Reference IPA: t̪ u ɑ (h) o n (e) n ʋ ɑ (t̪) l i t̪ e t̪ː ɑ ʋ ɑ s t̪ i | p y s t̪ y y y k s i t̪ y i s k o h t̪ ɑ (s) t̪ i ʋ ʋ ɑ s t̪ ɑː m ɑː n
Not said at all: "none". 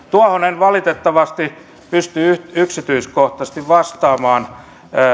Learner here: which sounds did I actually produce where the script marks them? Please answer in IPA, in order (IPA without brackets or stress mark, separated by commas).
h, e, none, s